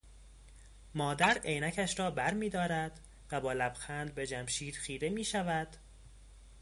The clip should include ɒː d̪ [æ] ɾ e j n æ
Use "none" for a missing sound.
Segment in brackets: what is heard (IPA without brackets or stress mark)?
æ